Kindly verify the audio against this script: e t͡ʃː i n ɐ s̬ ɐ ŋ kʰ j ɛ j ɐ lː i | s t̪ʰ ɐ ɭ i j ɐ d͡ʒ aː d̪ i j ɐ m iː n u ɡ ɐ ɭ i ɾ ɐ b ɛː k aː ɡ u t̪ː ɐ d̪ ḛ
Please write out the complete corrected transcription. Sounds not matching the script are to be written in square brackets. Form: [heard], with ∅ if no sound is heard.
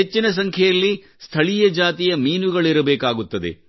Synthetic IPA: e t͡ʃː i n ɐ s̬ ɐ ŋ kʰ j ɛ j ɐ lː i | s t̪ʰ ɐ ɭ i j ɐ d͡ʒ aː [t̪] i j ɐ m iː n u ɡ ɐ ɭ i ɾ ɐ b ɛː k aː ɡ u t̪ː ɐ d̪ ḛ